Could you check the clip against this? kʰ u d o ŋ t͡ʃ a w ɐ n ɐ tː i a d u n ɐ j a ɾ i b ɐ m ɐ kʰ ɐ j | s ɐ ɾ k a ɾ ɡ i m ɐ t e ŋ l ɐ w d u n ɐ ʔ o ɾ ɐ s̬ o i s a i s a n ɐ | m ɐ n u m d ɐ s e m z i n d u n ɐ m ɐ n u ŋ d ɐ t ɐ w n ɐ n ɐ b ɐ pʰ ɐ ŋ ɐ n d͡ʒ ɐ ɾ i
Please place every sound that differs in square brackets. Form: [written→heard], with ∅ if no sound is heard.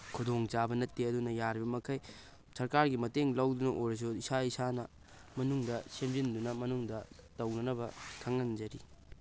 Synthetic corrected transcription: kʰ u d o ŋ t͡ʃ a [w→b] ɐ n ɐ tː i [a→ɐ] d u n ɐ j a ɾ i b ɐ m ɐ kʰ ɐ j | s ɐ ɾ k a ɾ ɡ i m ɐ t e ŋ l ɐ w d u n ɐ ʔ o ɾ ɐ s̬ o i s a i s a n ɐ | m ɐ n u [m→ŋ] d ɐ s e m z i n d u n ɐ m ɐ n u ŋ d ɐ t ɐ w n ɐ n ɐ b ɐ [pʰ→kʰ] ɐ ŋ ɐ n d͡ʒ ɐ ɾ i